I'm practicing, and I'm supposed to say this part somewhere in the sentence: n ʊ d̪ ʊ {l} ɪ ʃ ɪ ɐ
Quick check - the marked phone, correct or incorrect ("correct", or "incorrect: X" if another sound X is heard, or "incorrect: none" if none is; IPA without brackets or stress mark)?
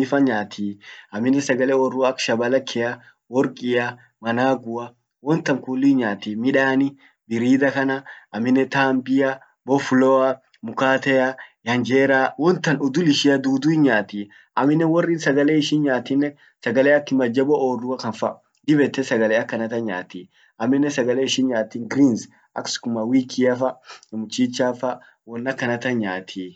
correct